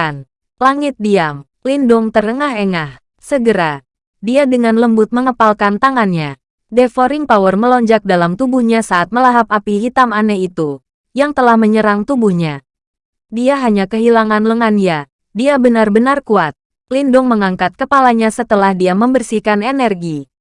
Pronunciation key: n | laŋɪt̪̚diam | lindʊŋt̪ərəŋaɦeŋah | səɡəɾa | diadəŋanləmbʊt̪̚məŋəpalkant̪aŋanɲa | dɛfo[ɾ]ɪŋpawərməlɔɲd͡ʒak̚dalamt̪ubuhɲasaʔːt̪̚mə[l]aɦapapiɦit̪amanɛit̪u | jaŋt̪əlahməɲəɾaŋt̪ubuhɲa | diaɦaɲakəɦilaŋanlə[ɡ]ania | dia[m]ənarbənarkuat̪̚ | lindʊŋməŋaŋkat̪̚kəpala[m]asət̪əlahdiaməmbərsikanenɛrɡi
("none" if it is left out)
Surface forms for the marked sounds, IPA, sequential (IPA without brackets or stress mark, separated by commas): ɾ, l, ŋ, b, ɲ